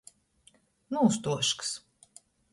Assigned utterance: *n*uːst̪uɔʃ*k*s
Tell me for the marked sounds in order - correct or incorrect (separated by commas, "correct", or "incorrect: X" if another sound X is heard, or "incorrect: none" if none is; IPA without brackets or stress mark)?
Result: correct, correct